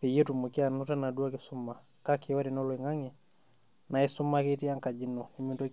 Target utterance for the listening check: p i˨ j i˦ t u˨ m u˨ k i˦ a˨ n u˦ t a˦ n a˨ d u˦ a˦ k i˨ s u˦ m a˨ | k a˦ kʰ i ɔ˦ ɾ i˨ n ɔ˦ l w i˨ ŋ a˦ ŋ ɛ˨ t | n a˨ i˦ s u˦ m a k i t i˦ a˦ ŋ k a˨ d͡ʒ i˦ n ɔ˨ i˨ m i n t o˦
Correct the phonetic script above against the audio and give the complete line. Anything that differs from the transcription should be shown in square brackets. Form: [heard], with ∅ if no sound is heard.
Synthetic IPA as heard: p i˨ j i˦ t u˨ m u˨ k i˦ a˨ n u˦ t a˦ n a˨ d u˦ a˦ k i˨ s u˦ m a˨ | k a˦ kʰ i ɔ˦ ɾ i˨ n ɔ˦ l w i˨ ŋ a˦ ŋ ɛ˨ [∅] | n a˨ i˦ s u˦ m a k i t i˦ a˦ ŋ k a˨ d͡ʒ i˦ n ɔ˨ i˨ m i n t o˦